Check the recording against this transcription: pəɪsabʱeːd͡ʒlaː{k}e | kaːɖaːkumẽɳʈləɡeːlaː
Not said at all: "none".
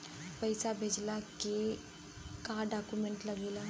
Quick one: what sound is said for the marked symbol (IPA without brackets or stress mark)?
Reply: k